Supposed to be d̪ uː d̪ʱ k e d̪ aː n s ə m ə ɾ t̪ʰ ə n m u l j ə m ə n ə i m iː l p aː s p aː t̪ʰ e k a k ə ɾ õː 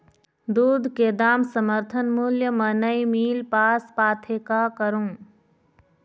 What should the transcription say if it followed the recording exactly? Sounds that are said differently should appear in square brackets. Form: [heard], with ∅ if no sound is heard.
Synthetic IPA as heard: d̪ uː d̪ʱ k e d̪ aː [m] s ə m ə ɾ t̪ʰ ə n m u l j ə m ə n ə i m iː l p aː s p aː t̪ʰ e k a k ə ɾ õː